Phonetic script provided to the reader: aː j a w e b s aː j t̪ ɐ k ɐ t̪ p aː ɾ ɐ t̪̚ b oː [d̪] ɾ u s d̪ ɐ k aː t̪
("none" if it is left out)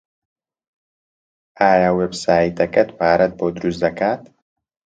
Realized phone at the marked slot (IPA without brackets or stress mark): d̪